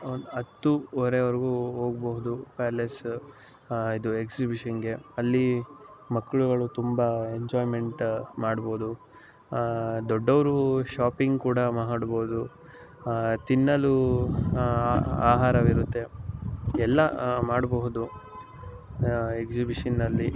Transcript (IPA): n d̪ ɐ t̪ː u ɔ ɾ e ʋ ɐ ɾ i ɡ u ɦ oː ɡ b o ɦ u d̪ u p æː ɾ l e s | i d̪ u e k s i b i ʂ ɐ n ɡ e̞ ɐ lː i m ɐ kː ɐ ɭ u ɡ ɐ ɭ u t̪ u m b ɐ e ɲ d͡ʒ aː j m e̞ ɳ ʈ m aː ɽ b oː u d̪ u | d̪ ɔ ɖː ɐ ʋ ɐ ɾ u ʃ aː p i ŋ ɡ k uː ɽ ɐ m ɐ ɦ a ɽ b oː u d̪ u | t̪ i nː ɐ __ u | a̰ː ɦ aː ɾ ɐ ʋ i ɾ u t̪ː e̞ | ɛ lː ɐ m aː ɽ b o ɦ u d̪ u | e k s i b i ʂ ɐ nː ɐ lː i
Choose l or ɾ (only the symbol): l